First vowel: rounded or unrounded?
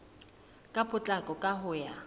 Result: unrounded